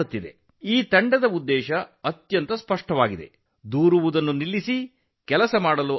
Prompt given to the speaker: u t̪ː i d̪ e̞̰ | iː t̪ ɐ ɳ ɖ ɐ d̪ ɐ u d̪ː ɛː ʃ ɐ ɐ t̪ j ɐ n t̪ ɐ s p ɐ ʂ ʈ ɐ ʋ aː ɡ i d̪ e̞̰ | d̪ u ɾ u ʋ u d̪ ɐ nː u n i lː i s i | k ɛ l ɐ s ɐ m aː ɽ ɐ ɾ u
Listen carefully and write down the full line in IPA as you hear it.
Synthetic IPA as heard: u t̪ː i d̪ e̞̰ | iː t̪ ɐ ɳ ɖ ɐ d̪ ɐ u d̪ː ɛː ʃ ɐ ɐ t̪ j ɐ n t̪ ɐ s p ɐ ʂ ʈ ɐ ʋ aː ɡ i d̪ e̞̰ | d̪ uː ɾ u ʋ u d̪ ɐ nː u n i lː i s i | k ɛ l ɐ s ɐ m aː ɽ ɐ l u